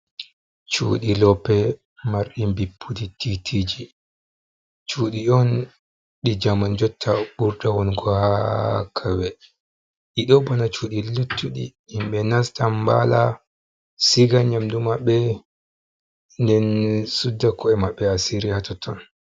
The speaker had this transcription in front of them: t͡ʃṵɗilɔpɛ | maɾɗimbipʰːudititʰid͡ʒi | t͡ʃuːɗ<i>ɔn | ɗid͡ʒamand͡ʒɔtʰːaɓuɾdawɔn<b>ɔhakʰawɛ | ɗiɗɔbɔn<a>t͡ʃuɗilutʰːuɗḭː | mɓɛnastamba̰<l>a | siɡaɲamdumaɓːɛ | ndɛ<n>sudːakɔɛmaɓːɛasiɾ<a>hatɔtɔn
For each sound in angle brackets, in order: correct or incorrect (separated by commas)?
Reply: correct, incorrect, correct, correct, correct, incorrect